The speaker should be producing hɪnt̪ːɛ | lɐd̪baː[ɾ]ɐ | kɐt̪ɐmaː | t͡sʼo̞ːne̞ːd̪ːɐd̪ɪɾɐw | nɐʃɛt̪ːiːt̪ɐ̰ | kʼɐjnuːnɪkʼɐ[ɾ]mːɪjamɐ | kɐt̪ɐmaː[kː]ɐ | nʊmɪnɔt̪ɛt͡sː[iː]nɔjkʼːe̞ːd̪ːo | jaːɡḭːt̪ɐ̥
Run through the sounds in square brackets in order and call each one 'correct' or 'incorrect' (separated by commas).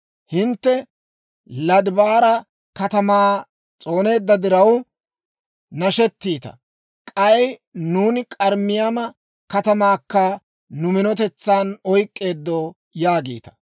correct, correct, correct, incorrect